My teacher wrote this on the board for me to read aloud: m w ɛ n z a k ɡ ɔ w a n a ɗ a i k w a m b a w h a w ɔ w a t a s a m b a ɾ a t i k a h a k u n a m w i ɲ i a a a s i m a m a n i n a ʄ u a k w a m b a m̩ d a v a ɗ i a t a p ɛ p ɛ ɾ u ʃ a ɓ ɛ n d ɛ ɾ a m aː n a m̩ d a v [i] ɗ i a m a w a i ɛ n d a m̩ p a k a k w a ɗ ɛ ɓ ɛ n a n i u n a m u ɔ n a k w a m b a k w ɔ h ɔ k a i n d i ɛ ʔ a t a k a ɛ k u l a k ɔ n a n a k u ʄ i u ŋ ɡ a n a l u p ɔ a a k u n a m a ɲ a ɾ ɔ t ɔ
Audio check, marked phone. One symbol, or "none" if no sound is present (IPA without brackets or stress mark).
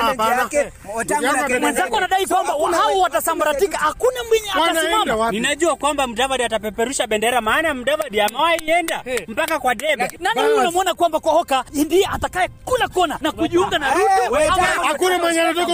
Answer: a